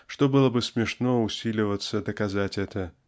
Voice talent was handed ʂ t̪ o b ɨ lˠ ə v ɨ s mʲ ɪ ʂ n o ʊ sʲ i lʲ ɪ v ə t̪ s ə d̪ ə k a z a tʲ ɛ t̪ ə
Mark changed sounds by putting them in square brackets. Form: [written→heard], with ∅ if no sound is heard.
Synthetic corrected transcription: ʂ t̪ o b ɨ lˠ ə [v→b] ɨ s mʲ ɪ ʂ n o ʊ sʲ i lʲ ɪ v ə t̪ s ə d̪ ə k a z a tʲ ɛ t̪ ə